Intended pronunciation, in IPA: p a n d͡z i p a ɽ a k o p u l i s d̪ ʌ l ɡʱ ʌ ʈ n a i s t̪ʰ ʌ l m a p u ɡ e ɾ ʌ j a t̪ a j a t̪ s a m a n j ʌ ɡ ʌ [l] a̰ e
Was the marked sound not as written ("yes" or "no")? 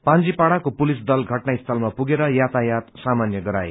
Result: yes